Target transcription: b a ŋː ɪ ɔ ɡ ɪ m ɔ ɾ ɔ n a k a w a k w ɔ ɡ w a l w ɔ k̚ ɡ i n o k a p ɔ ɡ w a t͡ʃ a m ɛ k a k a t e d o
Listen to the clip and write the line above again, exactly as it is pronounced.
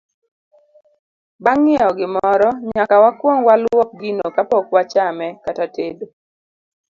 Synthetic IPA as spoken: b a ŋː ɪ ɔ ɡ ɪ m ɔ ɾ ɔ ɲ a k a w a k w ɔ ŋ w a l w ɔ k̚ ɡ i n o k a p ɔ k w a t͡ʃ a m ɛ k a t a t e d o